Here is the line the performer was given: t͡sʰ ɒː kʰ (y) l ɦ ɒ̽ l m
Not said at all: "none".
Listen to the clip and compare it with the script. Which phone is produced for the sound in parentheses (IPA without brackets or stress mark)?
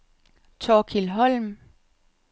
i